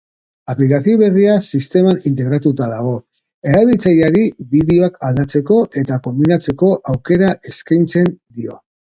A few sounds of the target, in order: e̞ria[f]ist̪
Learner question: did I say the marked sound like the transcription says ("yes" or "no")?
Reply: no